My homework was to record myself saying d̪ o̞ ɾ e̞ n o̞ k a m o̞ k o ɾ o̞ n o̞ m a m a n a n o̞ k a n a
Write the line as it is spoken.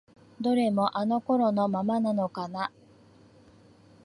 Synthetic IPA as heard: d̪ o̞ ɾ e̞ m o̞ ʔ a n o̞ k o ɾ o̞ n o̞ m a m a n a n o̞ k a n a